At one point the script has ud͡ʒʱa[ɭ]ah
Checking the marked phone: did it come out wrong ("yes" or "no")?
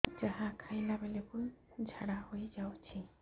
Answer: yes